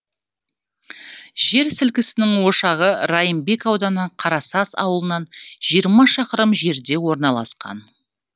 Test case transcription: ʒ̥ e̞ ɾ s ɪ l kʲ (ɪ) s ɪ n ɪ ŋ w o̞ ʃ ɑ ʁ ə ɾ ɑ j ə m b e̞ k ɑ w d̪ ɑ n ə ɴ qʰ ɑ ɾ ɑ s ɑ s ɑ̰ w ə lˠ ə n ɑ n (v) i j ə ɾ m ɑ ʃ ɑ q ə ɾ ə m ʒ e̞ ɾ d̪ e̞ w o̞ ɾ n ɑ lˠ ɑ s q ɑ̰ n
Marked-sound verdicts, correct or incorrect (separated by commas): correct, incorrect